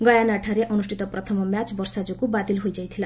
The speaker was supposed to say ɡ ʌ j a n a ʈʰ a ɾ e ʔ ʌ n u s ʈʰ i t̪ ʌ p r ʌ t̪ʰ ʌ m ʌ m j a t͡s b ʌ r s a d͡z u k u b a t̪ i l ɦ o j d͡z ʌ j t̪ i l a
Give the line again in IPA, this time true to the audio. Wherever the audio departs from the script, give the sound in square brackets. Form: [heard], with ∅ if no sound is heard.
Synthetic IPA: ɡ ʌ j a n a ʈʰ a ɾ e ʔ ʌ n u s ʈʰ i t̪ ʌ p r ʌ t̪ʰ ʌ m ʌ m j a t͡s b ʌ r s a d͡z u k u b a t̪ i l ɦ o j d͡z ʌ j [t̪ʰ] i l a